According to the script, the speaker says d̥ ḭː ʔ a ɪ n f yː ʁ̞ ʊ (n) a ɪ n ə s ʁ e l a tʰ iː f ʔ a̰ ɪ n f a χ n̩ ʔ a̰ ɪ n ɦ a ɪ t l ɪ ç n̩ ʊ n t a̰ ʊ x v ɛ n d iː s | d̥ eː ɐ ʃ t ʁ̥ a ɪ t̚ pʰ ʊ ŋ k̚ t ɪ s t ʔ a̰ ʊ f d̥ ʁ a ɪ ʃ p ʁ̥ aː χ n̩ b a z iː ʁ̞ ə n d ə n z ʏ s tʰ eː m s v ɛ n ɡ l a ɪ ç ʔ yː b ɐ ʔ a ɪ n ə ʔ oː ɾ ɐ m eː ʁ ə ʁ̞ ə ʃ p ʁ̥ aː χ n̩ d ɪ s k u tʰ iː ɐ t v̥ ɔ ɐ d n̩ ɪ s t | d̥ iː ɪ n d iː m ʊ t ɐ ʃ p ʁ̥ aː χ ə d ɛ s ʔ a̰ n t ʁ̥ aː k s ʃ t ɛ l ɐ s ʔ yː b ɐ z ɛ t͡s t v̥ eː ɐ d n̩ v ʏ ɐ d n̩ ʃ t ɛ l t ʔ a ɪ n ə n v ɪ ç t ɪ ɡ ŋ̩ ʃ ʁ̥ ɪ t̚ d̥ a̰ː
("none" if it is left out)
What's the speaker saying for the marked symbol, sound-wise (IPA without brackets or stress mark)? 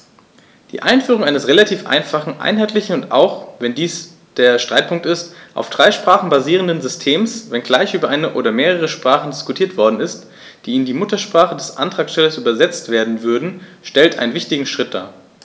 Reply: ŋ